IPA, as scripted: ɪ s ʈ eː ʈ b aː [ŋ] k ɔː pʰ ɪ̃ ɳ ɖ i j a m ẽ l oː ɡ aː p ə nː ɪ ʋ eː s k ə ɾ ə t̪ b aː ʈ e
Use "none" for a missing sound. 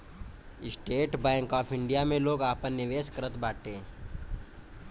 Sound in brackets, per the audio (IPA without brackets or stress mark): ŋ